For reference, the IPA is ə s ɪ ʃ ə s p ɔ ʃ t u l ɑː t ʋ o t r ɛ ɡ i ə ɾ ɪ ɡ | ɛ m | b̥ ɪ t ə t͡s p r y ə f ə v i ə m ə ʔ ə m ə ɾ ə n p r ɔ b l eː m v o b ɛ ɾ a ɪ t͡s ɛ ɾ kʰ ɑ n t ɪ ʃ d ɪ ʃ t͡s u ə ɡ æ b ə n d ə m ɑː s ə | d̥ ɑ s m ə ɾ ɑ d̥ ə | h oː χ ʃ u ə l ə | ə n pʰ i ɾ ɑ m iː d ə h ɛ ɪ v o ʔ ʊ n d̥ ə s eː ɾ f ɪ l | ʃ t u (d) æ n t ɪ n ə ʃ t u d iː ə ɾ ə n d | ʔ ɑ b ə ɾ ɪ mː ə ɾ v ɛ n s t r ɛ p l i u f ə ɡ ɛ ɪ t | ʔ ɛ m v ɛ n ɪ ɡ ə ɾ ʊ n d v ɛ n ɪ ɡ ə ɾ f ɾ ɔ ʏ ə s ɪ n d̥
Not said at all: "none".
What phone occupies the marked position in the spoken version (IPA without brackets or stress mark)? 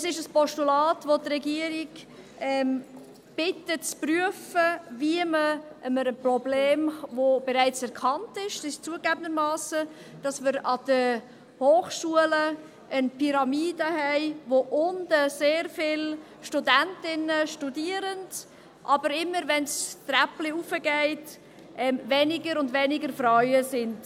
d